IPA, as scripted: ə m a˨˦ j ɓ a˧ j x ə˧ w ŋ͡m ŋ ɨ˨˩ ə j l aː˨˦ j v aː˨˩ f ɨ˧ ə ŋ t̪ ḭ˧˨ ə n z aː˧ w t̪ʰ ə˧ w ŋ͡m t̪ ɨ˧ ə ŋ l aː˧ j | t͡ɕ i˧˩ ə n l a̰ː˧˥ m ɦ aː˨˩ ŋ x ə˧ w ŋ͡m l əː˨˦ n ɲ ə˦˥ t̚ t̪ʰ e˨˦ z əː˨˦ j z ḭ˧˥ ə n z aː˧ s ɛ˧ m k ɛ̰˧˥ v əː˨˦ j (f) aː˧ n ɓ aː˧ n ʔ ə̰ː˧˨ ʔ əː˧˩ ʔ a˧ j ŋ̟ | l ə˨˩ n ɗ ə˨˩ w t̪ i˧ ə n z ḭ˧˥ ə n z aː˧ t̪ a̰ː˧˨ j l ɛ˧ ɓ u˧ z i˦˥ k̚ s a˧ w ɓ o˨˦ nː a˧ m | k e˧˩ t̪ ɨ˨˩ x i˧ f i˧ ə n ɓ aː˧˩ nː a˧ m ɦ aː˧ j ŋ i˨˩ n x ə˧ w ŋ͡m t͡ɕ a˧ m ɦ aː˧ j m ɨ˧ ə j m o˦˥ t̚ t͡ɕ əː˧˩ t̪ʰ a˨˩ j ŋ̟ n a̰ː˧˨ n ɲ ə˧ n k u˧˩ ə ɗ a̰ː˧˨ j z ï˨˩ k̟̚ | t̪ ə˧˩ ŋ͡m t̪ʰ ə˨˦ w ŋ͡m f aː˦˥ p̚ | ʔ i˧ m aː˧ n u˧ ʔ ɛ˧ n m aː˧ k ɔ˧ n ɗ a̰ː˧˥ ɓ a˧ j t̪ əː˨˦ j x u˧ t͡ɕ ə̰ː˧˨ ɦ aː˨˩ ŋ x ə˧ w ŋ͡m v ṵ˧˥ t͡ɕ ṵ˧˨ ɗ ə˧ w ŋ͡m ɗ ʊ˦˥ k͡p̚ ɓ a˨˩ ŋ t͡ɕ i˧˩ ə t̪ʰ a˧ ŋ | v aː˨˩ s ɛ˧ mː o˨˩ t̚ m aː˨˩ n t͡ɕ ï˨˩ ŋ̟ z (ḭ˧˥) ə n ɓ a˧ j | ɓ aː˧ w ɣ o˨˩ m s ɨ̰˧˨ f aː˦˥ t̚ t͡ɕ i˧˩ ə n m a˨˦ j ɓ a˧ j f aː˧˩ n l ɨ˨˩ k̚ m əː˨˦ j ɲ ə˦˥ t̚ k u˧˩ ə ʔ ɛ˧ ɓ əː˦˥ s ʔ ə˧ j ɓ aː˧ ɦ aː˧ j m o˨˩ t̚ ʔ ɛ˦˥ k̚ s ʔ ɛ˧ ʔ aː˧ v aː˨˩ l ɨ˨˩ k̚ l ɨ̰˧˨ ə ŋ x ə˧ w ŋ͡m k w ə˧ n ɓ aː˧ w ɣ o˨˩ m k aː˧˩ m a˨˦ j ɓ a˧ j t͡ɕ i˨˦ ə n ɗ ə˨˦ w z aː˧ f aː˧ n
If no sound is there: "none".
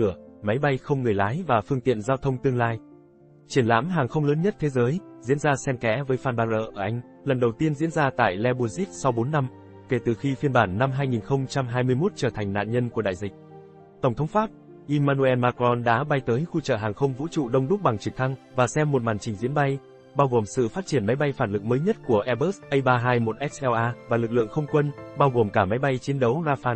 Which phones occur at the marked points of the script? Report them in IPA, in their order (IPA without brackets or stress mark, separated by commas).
f, ḭ˧˥